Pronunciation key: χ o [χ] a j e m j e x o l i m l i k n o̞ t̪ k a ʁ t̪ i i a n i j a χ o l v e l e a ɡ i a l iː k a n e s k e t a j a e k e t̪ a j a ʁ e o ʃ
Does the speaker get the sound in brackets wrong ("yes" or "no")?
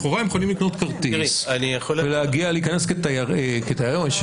yes